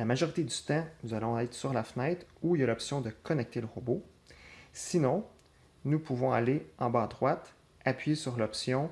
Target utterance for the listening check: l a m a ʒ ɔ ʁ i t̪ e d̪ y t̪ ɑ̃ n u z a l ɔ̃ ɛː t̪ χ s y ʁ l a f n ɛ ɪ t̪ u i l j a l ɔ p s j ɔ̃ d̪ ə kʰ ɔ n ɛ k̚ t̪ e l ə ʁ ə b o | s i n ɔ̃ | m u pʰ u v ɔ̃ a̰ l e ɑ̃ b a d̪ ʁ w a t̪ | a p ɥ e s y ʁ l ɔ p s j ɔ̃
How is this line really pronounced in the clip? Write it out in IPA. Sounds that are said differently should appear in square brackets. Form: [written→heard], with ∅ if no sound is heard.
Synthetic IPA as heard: l a m a ʒ ɔ ʁ i t̪ e d̪ y t̪ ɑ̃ n u z a l ɔ̃ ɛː t̪ χ s y ʁ l a f n ɛ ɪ t̪ u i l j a l ɔ p s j ɔ̃ d̪ ə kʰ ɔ n ɛ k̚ t̪ e l ə ʁ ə b o | s i n ɔ̃ | [m→n] u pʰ u v ɔ̃ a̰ l e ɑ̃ b a d̪ ʁ w a t̪ | a p ɥ e s y ʁ l ɔ p s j ɔ̃